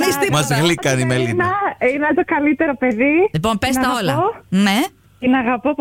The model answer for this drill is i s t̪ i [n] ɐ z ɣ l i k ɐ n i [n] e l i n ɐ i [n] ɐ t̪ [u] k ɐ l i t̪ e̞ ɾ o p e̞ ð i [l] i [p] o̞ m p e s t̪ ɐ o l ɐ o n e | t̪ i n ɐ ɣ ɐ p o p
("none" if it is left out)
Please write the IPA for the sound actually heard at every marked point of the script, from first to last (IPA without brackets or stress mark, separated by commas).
m, m, n, o, l, p